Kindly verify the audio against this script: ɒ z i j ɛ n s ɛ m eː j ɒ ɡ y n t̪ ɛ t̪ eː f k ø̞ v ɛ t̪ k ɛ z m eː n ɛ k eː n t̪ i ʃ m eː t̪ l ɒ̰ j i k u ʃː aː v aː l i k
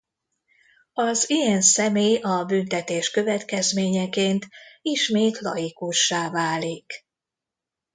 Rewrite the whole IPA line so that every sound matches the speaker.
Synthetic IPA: ɒ z i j ɛ n s ɛ m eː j ɒ b y n t̪ ɛ t̪ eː ʃ k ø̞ v ɛ t̪ k ɛ z m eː ɲ ɛ k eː n t̪ i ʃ m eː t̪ l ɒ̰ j i k u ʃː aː v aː l i k

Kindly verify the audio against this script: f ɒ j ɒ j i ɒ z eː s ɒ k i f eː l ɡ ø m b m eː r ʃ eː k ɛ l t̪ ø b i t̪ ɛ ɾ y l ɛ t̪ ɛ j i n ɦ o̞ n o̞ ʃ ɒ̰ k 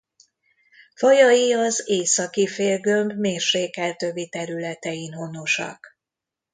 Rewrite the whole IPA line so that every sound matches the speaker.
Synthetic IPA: f ɒ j ɒ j i ɒ z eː s ɒ k i f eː l ɡ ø m b m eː r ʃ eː k ɛ l t̪ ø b i t̪ ɛ ɾ y l ɛ t̪ ɛ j i n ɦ o̞ n o̞ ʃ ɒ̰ k

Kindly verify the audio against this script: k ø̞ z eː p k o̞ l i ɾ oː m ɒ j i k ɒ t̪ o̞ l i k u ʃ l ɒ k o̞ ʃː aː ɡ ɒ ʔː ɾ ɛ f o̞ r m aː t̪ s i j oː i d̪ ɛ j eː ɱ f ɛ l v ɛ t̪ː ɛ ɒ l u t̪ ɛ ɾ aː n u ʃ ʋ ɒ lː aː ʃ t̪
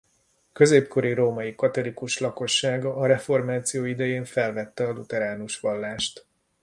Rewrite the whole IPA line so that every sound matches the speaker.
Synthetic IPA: k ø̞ z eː p k o̞ ɾ i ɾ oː m ɒ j i k ɒ t̪ o̞ l i k u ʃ l ɒ k o̞ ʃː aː ɡ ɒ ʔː ɾ ɛ f o̞ r m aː t̪ s i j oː i d̪ ɛ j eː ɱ f ɛ l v ɛ t̪ː ɛ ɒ l u t̪ ɛ ɾ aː n u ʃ ʋ ɒ lː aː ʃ t̪

